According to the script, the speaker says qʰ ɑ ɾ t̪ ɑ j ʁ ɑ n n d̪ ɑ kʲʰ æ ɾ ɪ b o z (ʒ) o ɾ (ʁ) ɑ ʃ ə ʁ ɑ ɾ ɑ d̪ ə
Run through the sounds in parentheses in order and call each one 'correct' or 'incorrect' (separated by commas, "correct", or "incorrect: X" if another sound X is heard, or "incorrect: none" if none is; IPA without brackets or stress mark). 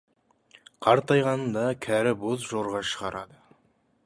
correct, correct